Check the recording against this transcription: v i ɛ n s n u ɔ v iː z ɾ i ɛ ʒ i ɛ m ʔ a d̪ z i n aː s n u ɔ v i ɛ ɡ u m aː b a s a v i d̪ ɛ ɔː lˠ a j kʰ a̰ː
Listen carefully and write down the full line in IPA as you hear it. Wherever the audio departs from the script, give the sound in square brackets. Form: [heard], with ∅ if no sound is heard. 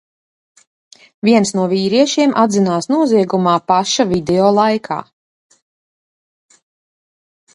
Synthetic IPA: v i ɛ n s n u ɔ v iː [∅] ɾ i ɛ [ʃ] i ɛ m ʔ a d̪ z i n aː s n u ɔ [z] i ɛ ɡ u m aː [p] a [ʃ] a v i d̪ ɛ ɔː lˠ a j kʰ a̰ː